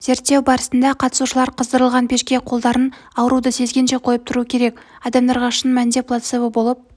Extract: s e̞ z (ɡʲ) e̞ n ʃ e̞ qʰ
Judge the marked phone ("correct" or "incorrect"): correct